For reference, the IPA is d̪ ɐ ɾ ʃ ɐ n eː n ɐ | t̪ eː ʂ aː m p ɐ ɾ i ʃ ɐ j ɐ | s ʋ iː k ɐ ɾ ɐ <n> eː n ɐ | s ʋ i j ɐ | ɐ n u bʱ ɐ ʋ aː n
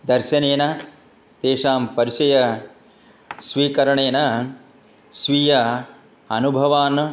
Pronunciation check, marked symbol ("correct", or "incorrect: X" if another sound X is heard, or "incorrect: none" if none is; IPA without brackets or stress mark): incorrect: ɳ